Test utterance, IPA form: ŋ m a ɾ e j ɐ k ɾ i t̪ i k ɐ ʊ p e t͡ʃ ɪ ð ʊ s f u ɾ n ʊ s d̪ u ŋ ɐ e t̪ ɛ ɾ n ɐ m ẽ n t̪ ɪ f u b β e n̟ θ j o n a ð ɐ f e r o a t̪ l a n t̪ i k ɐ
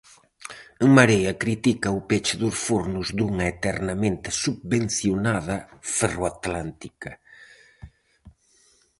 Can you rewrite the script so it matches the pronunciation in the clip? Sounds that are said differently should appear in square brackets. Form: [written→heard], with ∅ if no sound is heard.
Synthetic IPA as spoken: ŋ m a ɾ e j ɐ k ɾ i t̪ i k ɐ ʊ p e t͡ʃ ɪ ð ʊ s f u ɾ n ʊ [s→z] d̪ u ŋ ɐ e t̪ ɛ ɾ n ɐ m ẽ n t̪ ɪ [f→s] u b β e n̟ θ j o n a ð ɐ f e r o a t̪ l a n t̪ i k ɐ